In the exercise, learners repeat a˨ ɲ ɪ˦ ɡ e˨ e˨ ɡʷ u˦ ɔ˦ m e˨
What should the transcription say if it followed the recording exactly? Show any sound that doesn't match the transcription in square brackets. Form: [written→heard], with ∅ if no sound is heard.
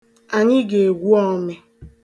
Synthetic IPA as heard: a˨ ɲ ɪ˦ ɡ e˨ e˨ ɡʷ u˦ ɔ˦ m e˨